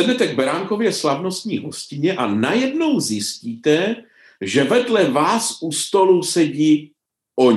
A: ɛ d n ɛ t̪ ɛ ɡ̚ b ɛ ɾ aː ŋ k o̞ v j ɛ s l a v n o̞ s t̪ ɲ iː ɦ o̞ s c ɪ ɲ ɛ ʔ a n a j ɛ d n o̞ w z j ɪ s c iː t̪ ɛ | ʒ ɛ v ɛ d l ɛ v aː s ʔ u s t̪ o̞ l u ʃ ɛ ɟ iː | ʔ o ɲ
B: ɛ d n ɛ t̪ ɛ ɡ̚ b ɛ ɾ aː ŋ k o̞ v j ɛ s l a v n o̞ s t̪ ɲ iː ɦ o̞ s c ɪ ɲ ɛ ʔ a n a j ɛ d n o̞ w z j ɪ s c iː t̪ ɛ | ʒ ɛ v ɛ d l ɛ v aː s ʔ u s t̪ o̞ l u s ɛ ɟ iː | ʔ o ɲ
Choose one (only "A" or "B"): B